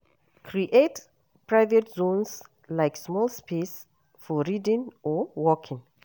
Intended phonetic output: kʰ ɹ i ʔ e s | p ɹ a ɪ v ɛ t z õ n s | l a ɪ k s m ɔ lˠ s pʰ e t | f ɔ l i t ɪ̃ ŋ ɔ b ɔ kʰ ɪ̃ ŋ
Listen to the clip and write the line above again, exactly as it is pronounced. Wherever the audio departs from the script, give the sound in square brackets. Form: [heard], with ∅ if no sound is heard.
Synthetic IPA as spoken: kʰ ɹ i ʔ e [t] | p ɹ a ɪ v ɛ t z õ n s | l a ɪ k s m ɔ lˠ s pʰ e [s] | f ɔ [ɹ] i [d] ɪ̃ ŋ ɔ [w] ɔ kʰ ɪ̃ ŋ